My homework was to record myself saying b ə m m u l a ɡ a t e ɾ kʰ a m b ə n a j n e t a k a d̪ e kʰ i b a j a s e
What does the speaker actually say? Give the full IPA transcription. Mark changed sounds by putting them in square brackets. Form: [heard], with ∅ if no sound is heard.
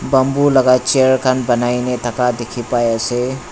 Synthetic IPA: b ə m [b] u l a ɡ a [t͡ʃ] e ɾ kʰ a [n] b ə n a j n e t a k a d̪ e kʰ i [p] a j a s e